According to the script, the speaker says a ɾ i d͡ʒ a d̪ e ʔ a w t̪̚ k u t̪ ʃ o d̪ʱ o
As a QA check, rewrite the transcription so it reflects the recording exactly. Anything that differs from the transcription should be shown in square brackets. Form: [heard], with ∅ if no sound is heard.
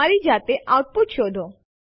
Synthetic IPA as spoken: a ɾ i d͡ʒ a [t̪] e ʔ a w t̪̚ [p] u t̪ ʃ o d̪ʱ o